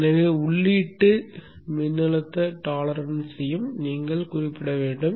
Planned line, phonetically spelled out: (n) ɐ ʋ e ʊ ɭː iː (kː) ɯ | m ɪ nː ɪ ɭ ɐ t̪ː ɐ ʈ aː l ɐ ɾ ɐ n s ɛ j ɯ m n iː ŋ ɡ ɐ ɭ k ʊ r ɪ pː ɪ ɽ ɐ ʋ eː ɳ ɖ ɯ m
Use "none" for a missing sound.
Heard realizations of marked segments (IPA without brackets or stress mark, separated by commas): n, ʈː